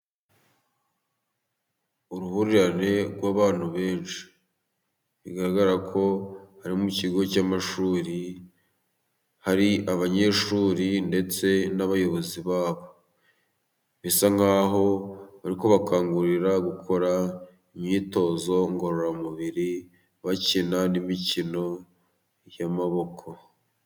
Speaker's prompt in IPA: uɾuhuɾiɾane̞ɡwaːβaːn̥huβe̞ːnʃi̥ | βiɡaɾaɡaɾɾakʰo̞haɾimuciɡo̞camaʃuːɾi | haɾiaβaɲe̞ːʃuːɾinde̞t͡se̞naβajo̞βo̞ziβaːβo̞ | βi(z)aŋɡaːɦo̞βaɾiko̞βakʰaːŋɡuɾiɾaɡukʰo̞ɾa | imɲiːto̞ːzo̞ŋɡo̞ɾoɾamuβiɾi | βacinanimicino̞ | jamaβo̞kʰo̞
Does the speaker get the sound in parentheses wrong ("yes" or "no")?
yes